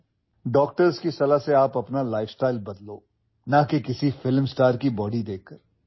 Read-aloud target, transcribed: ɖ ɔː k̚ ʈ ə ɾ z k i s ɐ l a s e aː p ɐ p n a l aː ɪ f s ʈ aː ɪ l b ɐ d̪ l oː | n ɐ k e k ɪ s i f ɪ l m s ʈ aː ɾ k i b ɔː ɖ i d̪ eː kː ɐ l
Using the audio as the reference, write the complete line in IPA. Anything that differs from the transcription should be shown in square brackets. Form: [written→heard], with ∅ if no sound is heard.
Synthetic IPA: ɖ ɔː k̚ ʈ ə ɾ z k i s ɐ l a s e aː p ɐ p n a l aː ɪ f s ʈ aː ɪ l b ɐ d̪ l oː | n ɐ k e k ɪ s i f ɪ l m s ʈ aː ɾ k i b ɔː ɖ i d̪ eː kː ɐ [l→ɾ]